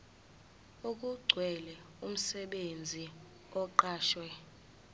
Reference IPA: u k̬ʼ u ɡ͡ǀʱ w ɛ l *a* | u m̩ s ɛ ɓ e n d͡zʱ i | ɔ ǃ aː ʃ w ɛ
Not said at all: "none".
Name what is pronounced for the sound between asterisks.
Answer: ɛ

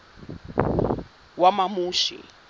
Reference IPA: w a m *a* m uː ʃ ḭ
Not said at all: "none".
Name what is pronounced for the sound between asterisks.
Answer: a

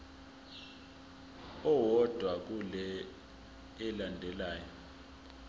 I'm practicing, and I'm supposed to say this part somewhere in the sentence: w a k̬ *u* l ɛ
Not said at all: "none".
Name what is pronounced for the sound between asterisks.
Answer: u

